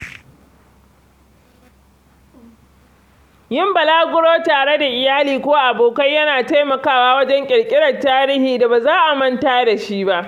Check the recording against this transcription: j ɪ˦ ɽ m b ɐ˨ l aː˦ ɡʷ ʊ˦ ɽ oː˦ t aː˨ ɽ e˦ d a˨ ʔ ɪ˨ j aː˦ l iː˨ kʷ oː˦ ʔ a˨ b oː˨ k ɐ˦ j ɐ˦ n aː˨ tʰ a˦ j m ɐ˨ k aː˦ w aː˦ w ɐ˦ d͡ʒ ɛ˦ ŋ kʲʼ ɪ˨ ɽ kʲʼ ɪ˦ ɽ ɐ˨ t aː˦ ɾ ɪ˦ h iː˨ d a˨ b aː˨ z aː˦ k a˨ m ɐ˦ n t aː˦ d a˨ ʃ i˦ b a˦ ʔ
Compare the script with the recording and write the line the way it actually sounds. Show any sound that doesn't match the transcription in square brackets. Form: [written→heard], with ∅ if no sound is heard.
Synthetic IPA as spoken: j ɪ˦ [ɽ→∅] m b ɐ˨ l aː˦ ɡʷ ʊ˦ ɽ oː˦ t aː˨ ɽ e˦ d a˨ ʔ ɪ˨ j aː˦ l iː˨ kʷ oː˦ ʔ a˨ b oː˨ k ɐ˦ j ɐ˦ n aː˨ [tʰ→t] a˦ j m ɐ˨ k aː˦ w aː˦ w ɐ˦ d͡ʒ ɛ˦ ŋ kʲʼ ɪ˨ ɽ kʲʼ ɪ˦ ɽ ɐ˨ t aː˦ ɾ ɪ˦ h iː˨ d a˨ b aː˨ z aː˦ [k→ʔ] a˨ m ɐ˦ n t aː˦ d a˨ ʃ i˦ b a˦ ʔ